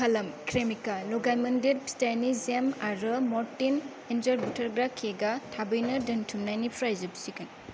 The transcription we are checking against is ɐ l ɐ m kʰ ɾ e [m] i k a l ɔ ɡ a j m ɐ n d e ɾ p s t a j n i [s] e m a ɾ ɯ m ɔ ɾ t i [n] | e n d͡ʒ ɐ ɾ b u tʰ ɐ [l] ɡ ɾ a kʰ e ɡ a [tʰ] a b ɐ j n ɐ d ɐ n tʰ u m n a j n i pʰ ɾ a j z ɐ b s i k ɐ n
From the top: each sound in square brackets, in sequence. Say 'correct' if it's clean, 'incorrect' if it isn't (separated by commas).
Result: correct, incorrect, correct, incorrect, correct